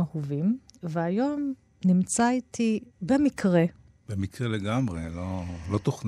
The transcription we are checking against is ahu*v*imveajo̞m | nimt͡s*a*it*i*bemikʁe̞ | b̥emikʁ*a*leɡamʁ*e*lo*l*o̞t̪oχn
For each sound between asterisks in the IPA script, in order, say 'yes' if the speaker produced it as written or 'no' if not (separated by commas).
yes, yes, yes, no, yes, yes